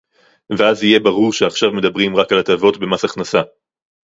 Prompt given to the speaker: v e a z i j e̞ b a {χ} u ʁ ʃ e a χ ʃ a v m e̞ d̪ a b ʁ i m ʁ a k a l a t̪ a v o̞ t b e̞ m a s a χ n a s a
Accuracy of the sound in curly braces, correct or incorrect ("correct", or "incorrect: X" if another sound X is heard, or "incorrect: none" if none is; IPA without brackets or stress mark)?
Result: incorrect: ʁ